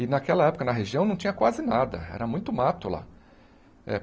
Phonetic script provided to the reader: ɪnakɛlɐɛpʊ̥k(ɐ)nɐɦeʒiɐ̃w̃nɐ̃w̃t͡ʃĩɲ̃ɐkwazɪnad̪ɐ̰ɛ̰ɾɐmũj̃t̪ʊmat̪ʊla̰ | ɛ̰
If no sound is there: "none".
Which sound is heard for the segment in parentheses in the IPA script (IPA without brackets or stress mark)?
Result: ɐ